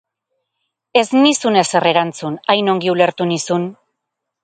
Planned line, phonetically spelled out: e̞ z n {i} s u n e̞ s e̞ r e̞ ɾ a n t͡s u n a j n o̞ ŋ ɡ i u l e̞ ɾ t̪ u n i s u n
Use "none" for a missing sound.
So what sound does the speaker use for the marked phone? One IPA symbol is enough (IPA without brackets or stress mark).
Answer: i